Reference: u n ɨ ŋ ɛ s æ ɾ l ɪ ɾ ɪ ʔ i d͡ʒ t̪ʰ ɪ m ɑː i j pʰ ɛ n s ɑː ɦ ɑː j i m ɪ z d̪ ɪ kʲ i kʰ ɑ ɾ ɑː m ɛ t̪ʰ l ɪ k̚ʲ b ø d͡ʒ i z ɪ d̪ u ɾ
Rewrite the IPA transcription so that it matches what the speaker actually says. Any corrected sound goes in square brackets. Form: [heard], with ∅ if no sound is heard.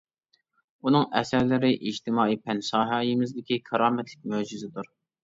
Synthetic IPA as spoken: u n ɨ ŋ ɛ s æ ɾ l ɪ ɾ ɪ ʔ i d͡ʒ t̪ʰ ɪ m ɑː i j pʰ ɛ n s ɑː ɦ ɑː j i m ɪ z d̪ ɪ kʲ i kʰ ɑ ɾ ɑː m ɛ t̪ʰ l ɪ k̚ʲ [m] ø d͡ʒ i z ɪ d̪ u ɾ